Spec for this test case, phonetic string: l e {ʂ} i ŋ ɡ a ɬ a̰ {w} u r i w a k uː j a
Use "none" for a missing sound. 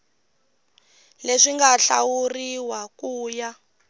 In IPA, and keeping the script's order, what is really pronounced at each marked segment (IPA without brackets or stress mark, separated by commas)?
ʂ, w